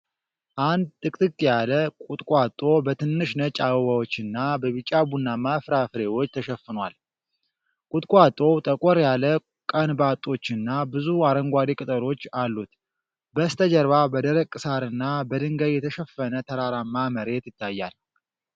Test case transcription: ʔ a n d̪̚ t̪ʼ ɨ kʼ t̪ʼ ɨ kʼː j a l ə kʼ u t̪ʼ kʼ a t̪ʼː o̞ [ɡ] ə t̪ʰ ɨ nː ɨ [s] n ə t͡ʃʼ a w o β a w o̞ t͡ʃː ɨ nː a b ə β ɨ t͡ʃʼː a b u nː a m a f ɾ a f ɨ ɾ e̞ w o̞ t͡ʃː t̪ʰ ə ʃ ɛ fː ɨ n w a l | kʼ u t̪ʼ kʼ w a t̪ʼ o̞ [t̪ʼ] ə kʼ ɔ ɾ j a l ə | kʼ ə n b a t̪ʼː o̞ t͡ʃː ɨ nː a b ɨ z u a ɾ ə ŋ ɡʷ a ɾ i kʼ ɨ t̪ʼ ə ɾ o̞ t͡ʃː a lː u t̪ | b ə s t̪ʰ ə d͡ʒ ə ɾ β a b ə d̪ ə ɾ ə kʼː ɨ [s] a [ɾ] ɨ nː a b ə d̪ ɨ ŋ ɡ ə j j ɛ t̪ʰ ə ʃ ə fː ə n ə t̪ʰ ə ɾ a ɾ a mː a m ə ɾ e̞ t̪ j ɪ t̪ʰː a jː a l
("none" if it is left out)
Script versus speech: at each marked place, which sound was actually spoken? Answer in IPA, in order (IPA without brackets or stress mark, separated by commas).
b, ʃ, t̪ʼ, s, ɾ